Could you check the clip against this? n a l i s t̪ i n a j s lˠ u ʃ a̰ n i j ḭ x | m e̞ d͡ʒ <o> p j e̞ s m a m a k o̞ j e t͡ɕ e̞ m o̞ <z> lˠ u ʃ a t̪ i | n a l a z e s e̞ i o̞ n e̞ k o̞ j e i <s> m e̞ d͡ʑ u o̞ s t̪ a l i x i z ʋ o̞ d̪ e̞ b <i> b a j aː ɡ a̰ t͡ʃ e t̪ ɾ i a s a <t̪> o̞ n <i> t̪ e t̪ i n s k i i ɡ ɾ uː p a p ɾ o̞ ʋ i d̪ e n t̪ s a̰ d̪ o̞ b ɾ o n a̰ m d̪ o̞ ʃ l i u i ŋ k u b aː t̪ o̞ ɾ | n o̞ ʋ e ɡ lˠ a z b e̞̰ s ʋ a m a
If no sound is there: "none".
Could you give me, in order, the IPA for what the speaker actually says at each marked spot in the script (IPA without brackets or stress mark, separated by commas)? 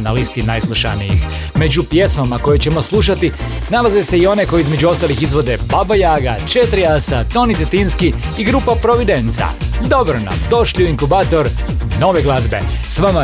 u, s, z, a, t̪, i